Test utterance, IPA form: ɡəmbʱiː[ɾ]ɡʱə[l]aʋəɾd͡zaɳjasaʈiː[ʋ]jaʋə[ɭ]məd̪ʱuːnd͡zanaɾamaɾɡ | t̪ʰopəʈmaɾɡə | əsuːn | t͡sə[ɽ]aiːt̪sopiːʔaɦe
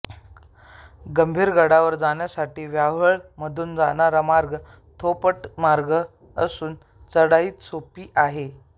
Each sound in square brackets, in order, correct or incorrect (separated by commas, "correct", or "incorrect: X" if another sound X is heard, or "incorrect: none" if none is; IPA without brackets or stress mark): correct, incorrect: ɽ, correct, correct, correct